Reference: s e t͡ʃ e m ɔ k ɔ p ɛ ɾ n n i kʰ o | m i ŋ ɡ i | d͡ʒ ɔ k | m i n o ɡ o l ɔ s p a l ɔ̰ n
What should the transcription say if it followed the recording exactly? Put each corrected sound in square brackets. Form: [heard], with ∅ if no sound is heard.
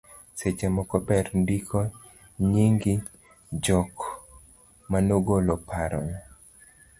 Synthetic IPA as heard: s e t͡ʃ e m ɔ k ɔ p ɛ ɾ n [d] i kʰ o | [ɲ] i ŋ ɡ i | d͡ʒ ɔ k | m [a] n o ɡ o l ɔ [∅] p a [ɾ] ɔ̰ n